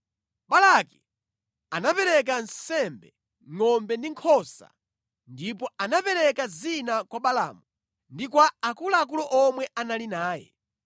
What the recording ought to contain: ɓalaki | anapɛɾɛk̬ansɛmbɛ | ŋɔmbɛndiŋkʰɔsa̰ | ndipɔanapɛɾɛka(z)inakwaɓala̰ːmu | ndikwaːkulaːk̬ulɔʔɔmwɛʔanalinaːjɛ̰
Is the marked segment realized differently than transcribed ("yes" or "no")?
no